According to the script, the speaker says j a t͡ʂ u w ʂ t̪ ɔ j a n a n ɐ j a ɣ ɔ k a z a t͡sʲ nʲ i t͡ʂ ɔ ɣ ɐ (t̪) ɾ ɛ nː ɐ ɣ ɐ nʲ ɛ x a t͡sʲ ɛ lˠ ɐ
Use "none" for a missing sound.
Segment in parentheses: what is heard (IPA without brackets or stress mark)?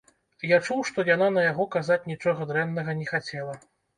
d̪